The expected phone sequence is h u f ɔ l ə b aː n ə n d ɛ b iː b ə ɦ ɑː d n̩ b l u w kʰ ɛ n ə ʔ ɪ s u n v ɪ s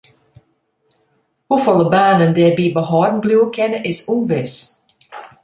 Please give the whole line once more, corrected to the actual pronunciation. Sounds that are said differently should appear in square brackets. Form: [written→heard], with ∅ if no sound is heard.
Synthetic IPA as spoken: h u f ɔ l ə b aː n ə n d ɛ b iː b ə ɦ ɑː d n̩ b l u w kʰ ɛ n ə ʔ ɪ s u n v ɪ s